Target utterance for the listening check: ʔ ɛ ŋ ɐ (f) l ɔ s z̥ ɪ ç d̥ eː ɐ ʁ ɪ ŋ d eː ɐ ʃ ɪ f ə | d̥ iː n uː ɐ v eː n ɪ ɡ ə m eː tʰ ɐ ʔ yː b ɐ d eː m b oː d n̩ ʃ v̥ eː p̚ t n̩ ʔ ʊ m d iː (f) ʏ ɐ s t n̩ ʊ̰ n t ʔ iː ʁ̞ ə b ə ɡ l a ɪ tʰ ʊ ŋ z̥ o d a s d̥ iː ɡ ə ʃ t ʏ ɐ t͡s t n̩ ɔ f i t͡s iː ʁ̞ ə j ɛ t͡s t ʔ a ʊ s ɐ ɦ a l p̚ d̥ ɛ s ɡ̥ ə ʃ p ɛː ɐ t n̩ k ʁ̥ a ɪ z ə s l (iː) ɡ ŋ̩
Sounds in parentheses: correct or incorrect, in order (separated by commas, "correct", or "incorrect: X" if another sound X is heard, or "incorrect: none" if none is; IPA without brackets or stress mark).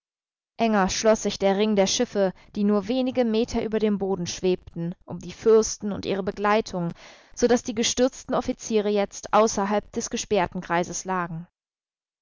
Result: incorrect: ʃ, correct, incorrect: aː